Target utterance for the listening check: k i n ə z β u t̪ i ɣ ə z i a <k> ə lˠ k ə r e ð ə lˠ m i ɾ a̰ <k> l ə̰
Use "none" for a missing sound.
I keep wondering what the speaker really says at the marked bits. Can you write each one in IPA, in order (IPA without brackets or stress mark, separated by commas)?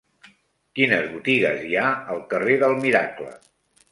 none, k